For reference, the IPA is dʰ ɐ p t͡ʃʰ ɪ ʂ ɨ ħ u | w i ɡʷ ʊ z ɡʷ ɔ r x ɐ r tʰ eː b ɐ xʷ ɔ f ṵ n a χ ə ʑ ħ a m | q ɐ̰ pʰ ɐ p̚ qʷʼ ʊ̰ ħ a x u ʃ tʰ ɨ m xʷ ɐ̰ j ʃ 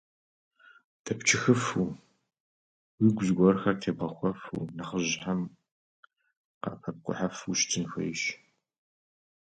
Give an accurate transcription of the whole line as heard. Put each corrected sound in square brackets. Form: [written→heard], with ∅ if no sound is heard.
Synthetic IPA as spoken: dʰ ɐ p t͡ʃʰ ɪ [ʂ→x] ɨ [ħ→f] u | w i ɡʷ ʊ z ɡʷ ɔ r x ɐ r tʰ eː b ɐ xʷ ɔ f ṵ n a χ ə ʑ ħ a m | q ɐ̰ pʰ ɐ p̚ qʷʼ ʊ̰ ħ a [x→f] u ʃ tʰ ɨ [m→n] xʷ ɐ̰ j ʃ